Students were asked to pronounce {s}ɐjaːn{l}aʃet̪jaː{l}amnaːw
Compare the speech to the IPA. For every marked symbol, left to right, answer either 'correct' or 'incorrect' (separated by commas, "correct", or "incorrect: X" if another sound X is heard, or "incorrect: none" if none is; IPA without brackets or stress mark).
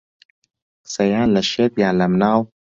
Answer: correct, correct, correct